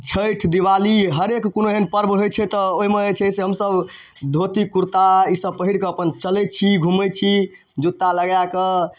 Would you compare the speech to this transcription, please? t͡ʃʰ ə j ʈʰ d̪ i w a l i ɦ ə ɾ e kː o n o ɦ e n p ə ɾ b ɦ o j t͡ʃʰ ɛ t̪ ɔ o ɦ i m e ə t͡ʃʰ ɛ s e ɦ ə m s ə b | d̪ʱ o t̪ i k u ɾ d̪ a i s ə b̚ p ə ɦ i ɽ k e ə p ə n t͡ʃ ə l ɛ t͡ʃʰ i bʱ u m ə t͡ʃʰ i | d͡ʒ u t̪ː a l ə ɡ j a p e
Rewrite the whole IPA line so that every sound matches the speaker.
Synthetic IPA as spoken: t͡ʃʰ ə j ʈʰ d̪ i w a l i ɦ ə ɾ e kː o n o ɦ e n p ə ɾ b ɦ o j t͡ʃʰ ɛ t̪ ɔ o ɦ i m e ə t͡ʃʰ ɛ s e ɦ ə m s ə b | d̪ʱ o t̪ i k u ɾ t̪ a i s ə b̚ p ə ɦ i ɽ k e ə p ə n t͡ʃ ə l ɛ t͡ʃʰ i ɡʱ u m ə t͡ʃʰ i | d͡ʒ u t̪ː a l ə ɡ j a k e